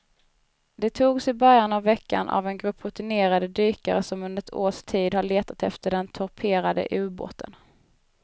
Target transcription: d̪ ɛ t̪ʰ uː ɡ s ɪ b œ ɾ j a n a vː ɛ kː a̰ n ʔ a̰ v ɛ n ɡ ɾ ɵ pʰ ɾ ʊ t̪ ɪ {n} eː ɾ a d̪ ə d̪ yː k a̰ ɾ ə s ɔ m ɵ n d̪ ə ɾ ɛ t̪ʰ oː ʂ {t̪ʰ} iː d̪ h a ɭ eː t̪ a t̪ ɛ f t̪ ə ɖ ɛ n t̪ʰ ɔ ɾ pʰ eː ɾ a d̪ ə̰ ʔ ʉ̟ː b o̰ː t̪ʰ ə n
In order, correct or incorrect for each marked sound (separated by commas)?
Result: correct, correct